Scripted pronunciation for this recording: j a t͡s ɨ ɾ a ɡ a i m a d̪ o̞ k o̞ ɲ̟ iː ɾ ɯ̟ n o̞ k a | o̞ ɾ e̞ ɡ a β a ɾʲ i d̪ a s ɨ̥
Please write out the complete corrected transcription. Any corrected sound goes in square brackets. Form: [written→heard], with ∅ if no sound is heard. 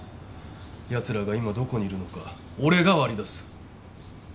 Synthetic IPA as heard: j a t͡s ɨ ɾ a ɡ a i m a d̪ o̞ k o̞ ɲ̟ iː ɾ ɯ̟ n o̞ k a | o̞ ɾ e̞ ɡ a β a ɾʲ i d̪ a s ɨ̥